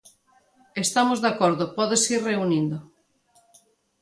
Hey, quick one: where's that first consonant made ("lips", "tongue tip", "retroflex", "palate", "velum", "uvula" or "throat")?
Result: tongue tip